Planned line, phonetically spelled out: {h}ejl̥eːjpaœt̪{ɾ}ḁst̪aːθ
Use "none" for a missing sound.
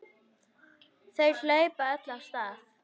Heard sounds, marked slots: θ, l

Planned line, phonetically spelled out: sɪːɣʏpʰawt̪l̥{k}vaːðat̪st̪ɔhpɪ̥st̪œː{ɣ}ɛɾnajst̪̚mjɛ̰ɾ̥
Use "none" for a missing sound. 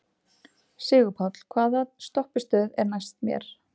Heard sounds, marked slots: kʰ, ð

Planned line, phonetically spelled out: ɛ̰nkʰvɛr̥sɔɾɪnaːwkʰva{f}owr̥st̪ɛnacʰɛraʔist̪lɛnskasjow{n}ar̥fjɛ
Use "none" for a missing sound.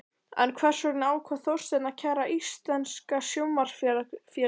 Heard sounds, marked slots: θ, m

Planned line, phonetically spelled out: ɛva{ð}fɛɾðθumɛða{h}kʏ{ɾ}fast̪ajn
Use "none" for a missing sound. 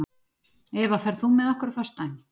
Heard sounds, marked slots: none, h, ɾ

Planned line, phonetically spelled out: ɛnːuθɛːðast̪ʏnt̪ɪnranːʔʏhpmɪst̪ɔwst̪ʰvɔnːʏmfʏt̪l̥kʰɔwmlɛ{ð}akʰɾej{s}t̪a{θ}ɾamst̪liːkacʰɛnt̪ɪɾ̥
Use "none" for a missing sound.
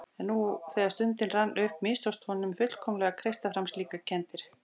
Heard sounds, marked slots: ɣ, s, f

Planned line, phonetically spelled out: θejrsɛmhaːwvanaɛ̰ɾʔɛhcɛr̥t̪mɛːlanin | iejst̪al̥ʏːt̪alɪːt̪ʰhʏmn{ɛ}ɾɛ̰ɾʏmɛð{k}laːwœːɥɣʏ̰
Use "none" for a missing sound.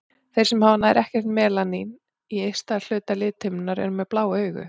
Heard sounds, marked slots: a, p

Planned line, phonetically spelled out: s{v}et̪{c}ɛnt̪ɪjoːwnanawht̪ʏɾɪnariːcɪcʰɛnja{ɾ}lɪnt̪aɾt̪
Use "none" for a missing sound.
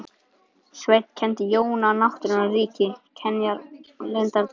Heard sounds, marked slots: v, cʰ, ɾ

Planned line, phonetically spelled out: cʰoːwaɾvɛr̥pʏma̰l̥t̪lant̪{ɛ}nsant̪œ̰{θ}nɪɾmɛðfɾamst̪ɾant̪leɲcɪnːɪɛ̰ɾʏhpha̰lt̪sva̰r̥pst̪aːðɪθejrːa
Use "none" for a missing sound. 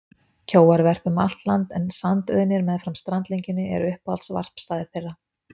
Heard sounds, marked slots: ɛ, ð

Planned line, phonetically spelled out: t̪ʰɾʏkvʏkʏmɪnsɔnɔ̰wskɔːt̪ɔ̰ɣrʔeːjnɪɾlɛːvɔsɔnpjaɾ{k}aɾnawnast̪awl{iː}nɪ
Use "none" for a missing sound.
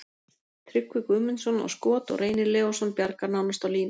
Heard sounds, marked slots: k, iː

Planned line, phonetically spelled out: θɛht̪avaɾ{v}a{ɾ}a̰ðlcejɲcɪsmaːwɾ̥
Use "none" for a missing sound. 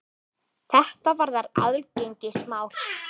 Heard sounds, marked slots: ð, ɾ

